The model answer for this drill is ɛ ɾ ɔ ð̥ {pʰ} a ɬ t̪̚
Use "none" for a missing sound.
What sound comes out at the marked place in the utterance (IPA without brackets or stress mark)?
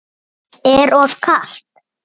kʰ